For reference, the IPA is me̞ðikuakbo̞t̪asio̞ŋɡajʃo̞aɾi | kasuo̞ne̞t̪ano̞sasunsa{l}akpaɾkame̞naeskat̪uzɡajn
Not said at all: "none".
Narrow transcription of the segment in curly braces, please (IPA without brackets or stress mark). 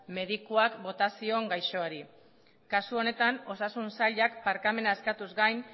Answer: ʎ